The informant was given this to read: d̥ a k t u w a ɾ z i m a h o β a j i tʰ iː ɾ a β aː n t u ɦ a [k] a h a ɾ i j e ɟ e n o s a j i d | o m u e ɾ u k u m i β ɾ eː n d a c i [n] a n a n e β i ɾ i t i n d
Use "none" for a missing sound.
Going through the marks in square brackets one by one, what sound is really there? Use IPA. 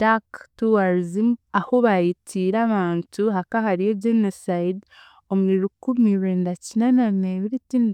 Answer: k, n

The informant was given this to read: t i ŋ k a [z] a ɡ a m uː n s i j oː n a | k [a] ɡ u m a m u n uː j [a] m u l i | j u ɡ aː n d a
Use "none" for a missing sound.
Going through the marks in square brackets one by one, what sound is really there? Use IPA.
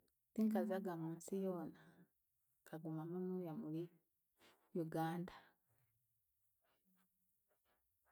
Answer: z, a, a

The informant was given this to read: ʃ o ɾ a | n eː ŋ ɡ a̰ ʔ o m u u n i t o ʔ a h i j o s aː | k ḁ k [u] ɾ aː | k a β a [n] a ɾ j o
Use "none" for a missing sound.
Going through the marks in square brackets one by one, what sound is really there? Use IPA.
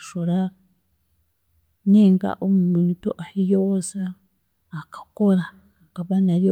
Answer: o, n

